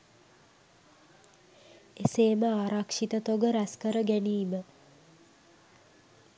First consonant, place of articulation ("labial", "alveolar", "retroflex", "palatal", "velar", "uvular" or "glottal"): alveolar